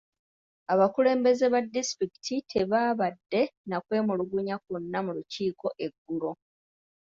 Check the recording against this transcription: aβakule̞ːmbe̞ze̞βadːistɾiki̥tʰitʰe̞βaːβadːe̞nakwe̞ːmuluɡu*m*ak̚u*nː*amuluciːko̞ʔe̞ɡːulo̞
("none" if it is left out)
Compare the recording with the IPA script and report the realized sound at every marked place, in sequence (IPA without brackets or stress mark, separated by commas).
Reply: ɲ, nː